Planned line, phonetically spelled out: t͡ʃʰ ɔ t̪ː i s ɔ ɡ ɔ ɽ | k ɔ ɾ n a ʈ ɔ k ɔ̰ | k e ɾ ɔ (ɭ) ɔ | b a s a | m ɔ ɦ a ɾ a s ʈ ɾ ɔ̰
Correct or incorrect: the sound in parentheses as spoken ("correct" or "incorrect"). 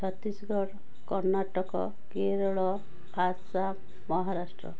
correct